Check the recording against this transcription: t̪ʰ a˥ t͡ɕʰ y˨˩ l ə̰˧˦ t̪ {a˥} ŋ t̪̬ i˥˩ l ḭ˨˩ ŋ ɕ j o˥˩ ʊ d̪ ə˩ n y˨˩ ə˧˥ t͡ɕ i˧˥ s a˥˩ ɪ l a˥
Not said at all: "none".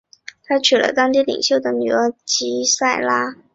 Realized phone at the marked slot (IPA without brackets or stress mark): ɑ˥